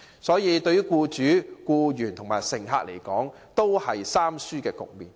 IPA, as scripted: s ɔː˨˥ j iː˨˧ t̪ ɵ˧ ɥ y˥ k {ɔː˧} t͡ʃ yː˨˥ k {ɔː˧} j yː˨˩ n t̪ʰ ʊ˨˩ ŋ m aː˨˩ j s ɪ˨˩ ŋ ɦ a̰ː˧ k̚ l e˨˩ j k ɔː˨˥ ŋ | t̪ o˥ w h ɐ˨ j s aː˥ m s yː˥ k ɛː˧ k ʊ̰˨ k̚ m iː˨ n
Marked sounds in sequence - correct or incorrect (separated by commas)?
incorrect, incorrect